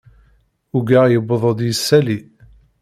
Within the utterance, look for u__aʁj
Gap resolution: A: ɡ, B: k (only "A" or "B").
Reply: A